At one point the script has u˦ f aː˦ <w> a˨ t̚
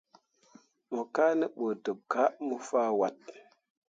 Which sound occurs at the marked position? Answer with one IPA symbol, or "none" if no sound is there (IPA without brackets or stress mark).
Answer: w